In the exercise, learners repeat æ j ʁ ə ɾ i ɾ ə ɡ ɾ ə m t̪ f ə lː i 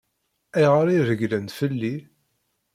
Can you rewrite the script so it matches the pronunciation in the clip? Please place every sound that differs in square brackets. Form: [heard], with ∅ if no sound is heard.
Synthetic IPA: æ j ʁ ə ɾ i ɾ ə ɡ [l] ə [n] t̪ f ə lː i